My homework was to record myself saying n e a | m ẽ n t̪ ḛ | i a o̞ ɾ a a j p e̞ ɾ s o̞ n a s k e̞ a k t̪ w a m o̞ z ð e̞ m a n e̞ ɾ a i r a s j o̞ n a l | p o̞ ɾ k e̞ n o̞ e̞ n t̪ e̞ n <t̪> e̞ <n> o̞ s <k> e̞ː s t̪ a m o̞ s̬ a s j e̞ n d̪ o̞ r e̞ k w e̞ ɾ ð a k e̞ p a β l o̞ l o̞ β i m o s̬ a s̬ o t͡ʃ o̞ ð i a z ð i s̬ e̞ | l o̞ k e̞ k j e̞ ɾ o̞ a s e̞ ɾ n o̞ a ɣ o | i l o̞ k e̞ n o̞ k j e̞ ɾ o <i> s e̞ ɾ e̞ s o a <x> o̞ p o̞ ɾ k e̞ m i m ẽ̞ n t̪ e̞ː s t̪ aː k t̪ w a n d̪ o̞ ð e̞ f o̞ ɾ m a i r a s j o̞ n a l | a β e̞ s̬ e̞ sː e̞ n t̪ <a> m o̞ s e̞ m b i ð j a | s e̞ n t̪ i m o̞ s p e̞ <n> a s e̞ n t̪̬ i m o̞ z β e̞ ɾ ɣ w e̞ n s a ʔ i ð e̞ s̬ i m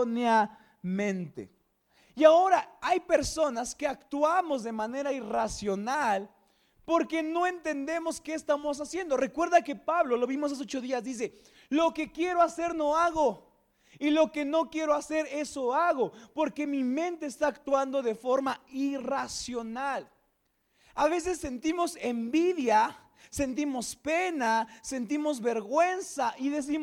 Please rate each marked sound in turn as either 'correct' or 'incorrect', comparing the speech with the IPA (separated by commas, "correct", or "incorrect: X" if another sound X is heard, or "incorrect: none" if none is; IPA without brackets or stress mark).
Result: incorrect: d̪, incorrect: m, correct, incorrect: a, incorrect: ɣ, incorrect: i, correct